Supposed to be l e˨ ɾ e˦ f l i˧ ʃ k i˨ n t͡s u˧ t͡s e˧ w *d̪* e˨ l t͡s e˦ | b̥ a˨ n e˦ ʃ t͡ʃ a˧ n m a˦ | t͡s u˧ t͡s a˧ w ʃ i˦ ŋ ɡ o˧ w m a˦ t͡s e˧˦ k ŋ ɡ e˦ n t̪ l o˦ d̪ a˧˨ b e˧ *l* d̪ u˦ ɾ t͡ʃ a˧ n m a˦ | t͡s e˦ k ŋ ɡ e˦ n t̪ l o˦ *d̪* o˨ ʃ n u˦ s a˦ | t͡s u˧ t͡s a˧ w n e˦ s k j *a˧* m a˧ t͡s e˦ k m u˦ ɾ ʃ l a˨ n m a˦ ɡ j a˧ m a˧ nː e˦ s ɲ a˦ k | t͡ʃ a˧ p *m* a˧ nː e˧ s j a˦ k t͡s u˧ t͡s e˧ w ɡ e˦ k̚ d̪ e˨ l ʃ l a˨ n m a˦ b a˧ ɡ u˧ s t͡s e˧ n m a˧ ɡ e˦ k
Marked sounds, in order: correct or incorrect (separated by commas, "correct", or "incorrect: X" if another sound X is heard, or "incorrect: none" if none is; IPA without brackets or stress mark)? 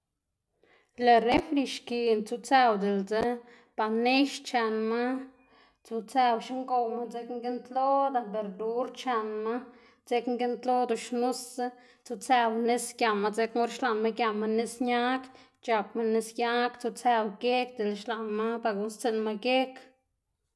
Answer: correct, incorrect: ɾ, correct, correct, correct